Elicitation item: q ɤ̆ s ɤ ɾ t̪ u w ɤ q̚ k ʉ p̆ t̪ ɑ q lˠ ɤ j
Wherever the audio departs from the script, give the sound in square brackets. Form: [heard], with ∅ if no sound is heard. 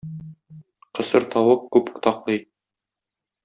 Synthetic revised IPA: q ɤ̆ s ɤ ɾ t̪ [ɒ] w ɤ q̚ k ʉ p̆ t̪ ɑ q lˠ ɤ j